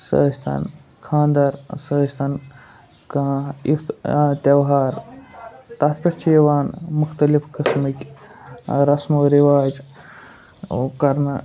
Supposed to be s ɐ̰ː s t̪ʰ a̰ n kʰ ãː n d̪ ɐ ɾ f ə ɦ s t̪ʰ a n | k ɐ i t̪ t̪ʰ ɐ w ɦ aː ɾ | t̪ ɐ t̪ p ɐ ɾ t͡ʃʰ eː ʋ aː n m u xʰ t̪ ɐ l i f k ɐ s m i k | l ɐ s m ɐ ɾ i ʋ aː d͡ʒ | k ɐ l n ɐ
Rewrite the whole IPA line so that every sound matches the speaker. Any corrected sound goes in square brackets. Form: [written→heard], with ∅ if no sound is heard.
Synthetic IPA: s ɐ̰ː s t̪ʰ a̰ n kʰ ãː n d̪ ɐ ɾ [f→s] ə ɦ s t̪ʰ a n | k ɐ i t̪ [t̪ʰ→t̪] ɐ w ɦ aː ɾ | t̪ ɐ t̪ p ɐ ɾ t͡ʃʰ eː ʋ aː n m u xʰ t̪ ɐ l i f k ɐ s m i k | [l→ɾ] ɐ s m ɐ ɾ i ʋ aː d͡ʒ | k ɐ [l→ɾ] n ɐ